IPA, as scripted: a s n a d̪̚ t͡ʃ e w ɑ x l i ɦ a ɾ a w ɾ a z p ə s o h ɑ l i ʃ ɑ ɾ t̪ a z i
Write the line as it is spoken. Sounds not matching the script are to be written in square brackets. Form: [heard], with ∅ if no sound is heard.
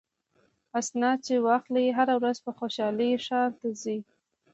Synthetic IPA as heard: a s n [ɑ] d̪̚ t͡ʃ e w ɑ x l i ɦ a ɾ a w ɾ a z p ə [x] o [ʃ] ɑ l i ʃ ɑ ɾ t̪ a z i